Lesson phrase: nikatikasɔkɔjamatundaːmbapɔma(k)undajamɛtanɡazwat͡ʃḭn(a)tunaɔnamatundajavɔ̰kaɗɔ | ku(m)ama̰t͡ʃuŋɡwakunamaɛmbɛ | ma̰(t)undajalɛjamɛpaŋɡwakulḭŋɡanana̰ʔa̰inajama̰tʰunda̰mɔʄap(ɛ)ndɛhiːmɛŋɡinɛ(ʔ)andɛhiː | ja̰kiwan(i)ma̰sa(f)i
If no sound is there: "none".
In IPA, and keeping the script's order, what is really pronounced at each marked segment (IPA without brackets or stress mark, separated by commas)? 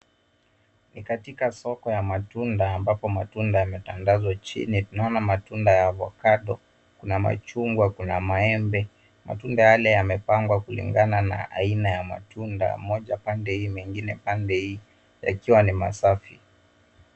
t, i, n, t, a, p, i, f